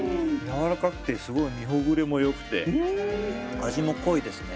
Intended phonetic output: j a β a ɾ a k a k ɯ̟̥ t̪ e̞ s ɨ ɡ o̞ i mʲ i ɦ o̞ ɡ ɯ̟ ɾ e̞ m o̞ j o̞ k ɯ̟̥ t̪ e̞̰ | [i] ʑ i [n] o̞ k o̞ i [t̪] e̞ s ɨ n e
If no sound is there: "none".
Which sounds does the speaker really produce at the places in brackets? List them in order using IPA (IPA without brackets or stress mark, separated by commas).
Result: a, m, d̪